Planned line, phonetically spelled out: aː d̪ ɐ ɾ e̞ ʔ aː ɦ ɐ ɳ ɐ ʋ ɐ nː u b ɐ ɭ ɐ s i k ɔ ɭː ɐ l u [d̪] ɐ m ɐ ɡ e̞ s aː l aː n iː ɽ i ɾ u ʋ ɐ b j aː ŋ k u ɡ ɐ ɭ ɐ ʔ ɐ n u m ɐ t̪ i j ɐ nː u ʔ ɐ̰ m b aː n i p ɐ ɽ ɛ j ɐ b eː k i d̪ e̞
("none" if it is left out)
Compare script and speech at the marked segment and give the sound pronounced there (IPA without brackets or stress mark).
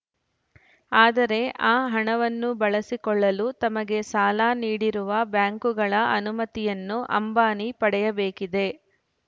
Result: t̪